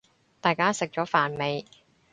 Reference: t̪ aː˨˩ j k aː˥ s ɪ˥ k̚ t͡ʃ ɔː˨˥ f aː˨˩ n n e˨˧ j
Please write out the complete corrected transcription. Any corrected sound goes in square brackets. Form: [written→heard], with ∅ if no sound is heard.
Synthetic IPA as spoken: t̪ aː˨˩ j k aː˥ s [ɪ˥→ɪ˨] k̚ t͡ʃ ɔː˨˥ f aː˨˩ n [n→m] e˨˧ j